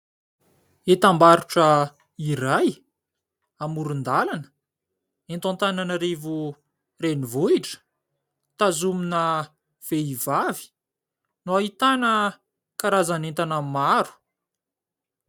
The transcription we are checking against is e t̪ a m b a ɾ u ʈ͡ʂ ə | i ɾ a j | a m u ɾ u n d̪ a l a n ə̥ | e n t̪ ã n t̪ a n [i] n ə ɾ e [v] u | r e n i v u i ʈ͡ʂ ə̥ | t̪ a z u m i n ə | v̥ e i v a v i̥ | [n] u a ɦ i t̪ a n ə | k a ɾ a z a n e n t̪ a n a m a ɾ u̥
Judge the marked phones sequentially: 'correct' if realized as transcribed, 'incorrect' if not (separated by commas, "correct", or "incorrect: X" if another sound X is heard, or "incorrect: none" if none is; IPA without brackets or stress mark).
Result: incorrect: a, correct, correct